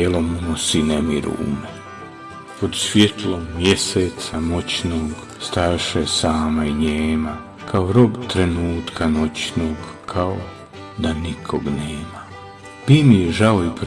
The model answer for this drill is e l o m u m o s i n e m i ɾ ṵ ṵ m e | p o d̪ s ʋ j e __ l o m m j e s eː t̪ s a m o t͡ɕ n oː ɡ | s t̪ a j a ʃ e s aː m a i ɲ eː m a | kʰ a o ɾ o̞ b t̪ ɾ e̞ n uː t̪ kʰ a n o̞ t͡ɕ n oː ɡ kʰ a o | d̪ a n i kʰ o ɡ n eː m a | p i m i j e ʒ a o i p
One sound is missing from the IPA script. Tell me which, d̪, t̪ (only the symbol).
t̪